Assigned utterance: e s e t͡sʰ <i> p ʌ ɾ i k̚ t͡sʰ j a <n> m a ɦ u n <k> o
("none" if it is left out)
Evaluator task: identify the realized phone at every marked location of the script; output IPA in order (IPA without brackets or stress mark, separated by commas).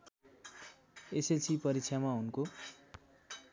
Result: i, none, k